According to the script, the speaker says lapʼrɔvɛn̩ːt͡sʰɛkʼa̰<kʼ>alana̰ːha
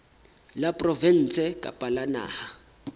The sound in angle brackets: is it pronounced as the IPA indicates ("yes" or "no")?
no